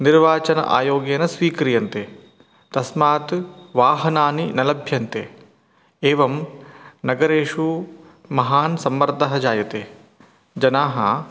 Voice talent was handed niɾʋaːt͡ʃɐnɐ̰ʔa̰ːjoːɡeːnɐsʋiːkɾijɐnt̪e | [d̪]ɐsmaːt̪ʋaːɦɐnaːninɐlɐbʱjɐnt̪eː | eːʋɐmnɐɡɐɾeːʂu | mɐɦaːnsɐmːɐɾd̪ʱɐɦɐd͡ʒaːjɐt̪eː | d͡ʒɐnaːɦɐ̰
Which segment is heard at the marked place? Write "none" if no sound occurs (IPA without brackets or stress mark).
t̪